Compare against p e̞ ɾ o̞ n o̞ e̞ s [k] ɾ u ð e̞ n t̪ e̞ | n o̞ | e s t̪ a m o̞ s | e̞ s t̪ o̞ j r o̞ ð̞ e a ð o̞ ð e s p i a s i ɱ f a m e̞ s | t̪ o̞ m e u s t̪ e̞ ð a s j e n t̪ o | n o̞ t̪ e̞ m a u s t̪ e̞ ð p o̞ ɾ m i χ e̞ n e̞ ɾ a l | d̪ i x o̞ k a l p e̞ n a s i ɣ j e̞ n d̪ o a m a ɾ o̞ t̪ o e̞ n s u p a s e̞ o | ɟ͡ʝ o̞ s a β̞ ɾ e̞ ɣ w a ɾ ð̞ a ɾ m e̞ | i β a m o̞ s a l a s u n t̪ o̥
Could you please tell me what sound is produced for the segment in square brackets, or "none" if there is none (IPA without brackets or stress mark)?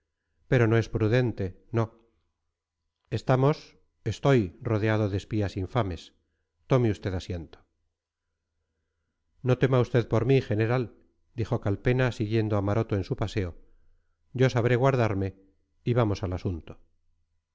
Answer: p